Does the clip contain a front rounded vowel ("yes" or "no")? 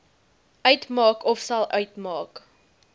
yes